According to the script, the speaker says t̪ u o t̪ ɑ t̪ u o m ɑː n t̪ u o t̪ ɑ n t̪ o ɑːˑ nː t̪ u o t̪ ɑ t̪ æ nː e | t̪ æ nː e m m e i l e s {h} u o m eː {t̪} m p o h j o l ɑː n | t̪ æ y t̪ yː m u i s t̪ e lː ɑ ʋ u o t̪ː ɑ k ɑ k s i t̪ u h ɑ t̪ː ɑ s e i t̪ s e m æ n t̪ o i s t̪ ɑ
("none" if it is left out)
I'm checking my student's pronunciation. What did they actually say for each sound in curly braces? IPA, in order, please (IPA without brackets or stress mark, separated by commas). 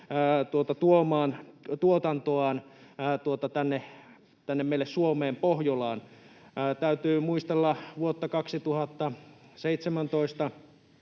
s, none